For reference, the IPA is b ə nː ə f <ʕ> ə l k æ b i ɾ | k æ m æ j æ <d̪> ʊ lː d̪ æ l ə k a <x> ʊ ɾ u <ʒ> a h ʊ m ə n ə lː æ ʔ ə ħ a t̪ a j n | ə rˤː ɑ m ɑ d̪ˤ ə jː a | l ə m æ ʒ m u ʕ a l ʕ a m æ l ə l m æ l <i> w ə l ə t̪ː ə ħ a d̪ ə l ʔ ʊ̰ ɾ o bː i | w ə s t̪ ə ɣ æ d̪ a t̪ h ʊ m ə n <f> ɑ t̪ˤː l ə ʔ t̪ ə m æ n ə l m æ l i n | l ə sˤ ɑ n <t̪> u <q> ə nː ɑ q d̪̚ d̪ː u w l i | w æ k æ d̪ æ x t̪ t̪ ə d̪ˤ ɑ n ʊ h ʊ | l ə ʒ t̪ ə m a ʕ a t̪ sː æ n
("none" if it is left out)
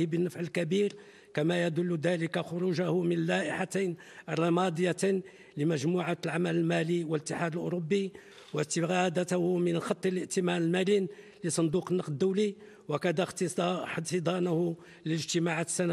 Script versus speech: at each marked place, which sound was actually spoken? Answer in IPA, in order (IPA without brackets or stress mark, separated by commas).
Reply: ʕ, d̪, x, ʒ, i, x, d̪, q